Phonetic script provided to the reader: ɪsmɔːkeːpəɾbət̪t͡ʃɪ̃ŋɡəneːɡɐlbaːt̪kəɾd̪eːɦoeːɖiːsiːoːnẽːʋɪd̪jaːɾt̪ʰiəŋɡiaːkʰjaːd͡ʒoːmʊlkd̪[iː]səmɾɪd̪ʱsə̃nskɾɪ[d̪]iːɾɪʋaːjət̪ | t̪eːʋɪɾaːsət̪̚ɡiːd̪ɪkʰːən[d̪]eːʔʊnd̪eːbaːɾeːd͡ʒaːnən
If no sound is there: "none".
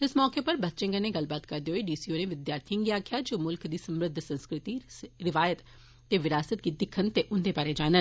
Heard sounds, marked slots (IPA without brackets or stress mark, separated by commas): iː, t̪, t̪